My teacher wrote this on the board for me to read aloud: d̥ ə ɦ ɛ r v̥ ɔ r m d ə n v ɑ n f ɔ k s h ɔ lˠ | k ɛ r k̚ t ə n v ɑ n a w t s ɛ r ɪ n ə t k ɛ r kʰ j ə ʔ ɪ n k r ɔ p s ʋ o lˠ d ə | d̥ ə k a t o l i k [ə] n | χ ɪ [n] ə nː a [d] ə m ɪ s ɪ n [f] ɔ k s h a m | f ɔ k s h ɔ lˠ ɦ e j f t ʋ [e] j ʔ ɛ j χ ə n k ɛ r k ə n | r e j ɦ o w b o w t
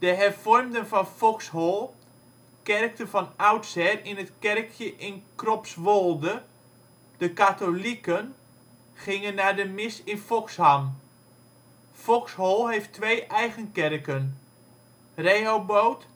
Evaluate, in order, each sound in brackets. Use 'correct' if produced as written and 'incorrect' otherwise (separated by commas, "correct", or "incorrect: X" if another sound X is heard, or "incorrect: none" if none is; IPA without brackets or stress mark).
correct, incorrect: ŋ, correct, correct, correct